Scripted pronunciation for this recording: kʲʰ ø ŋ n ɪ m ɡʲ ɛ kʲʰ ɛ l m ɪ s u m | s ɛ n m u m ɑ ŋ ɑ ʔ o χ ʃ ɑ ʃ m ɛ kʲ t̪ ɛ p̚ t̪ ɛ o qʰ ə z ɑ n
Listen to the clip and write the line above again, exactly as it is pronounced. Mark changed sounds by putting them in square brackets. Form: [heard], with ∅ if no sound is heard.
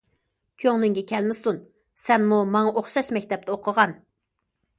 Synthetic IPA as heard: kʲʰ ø ŋ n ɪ [ŋ] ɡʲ ɛ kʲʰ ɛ l m ɪ s u [n] | s ɛ n m u m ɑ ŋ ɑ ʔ o χ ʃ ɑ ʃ m ɛ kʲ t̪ ɛ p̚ t̪ ɛ o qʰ ə [ʁ] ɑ n